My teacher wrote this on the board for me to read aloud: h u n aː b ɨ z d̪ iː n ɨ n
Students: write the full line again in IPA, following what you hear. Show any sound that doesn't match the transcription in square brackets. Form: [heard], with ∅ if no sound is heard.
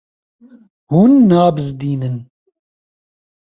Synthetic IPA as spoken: h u [nː] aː b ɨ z d̪ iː n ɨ n